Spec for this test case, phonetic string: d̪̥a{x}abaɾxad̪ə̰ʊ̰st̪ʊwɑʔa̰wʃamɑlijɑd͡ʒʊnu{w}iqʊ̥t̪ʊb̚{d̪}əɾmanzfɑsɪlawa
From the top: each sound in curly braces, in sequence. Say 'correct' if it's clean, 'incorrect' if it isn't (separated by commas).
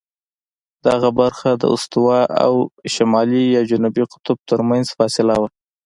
incorrect, incorrect, incorrect